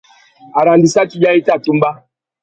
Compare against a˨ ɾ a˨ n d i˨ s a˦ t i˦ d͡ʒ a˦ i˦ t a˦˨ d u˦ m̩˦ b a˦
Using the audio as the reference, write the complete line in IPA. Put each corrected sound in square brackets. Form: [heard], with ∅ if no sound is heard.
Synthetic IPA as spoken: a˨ ɾ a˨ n d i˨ s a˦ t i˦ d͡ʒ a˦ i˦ t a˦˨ [t] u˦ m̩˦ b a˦